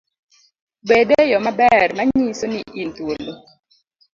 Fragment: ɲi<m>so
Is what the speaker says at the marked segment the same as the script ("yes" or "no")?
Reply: no